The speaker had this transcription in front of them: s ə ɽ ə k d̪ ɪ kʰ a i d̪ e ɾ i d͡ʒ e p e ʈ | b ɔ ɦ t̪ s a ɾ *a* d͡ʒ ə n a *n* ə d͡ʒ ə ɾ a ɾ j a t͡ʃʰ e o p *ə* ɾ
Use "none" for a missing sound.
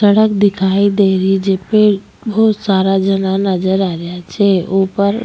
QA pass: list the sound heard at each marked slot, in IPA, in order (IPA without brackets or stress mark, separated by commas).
a, n, ə